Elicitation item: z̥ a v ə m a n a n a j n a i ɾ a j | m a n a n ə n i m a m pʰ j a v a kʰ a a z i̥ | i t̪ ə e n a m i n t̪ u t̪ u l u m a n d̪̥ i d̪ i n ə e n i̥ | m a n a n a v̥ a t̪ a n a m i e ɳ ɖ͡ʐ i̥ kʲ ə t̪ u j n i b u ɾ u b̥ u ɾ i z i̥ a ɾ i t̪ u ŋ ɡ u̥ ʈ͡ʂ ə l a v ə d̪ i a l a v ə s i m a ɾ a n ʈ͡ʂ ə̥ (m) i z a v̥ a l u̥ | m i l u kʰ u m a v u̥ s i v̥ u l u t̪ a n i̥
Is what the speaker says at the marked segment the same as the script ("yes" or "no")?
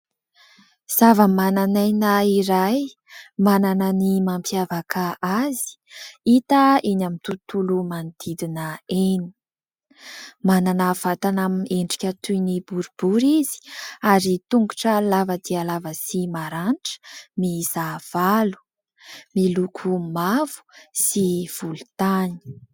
yes